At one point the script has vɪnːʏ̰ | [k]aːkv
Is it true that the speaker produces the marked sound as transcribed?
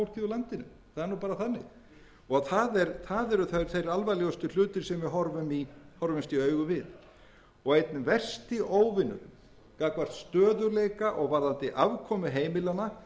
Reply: yes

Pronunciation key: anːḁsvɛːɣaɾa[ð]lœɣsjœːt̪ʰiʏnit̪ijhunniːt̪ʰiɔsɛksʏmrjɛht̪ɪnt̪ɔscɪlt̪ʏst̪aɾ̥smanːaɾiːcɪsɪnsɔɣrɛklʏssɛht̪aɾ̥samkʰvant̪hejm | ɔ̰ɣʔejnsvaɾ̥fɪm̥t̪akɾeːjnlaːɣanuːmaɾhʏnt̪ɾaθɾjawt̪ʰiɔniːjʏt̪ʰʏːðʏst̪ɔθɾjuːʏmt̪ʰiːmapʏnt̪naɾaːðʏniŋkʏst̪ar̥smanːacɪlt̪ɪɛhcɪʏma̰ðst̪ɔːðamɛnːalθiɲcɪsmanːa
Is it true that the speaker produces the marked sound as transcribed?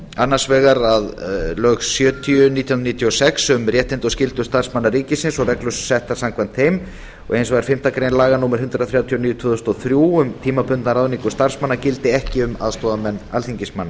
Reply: yes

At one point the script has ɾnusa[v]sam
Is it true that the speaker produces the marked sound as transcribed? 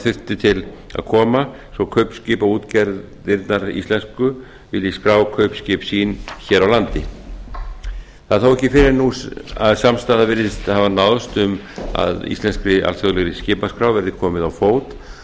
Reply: no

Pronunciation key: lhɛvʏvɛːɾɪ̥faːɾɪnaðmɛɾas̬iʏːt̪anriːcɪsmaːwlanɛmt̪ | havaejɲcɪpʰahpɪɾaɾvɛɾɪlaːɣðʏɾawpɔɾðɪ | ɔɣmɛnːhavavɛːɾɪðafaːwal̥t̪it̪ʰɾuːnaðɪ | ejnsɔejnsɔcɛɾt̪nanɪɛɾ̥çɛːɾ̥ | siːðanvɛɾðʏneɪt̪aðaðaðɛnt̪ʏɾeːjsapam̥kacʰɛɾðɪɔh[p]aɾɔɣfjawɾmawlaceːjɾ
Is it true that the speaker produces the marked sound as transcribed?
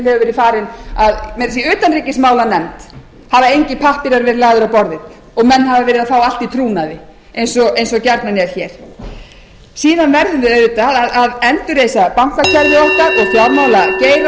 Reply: no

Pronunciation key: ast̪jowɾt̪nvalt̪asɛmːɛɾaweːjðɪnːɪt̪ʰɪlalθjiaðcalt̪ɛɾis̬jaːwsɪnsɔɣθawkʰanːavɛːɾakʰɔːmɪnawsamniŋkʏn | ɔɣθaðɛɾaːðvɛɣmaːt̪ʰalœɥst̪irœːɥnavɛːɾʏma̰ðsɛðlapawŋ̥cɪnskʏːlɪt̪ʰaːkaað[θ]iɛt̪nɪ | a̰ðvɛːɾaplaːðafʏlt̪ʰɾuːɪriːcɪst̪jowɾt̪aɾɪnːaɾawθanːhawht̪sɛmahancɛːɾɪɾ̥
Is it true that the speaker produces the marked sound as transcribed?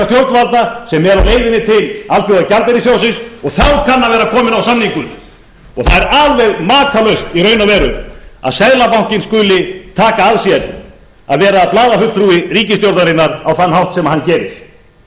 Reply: no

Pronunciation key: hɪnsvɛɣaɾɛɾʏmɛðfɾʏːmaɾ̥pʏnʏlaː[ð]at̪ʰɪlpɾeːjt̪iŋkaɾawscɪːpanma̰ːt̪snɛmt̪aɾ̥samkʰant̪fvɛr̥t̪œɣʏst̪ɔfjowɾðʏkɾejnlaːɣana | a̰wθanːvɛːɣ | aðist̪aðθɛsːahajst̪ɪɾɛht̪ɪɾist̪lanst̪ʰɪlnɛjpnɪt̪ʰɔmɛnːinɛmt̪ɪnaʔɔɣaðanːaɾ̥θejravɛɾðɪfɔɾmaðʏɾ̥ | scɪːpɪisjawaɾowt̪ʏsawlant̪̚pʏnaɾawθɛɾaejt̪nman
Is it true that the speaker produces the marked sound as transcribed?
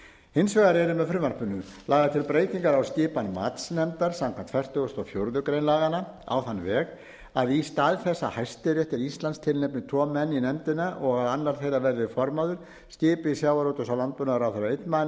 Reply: no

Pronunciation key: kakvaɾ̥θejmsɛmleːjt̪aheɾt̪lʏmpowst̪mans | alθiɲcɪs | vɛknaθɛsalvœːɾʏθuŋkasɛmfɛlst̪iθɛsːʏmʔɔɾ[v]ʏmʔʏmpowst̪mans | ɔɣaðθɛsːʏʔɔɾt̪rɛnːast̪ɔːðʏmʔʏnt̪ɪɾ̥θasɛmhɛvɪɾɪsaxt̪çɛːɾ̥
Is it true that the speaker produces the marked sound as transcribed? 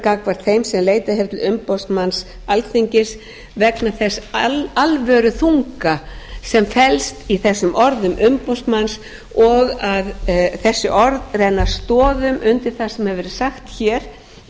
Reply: no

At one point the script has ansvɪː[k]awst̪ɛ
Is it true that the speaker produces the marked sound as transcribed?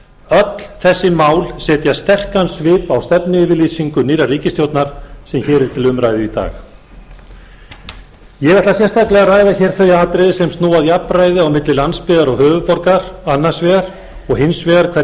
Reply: no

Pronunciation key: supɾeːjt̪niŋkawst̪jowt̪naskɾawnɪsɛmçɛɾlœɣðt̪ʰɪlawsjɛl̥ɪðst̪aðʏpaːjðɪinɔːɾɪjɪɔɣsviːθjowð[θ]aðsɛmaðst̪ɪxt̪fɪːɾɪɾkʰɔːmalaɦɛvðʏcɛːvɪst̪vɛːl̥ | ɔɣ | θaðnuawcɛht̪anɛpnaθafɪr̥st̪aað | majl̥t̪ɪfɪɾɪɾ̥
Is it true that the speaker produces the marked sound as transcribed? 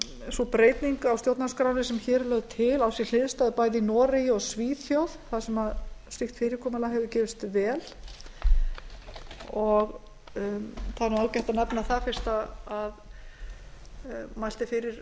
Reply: yes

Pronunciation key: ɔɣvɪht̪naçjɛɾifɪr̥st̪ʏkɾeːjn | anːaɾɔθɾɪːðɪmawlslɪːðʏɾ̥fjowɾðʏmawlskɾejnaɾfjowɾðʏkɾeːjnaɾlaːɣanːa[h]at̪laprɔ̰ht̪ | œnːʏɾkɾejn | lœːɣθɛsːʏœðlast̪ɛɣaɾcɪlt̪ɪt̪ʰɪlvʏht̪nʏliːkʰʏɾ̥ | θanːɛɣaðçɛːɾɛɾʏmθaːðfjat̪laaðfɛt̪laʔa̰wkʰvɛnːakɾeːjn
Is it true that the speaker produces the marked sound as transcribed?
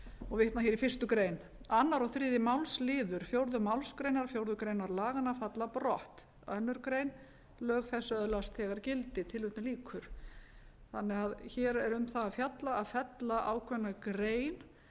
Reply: no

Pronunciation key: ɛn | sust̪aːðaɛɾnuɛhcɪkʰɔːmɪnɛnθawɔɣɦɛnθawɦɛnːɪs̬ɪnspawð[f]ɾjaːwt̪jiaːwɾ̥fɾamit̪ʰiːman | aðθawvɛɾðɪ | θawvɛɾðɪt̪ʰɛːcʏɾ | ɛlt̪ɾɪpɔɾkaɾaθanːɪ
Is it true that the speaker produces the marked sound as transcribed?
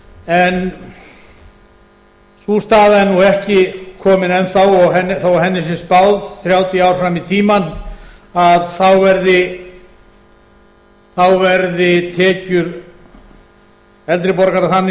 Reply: no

